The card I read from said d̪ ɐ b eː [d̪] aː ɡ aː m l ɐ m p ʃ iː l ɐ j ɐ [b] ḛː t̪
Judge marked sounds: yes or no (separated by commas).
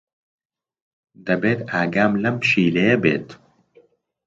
no, yes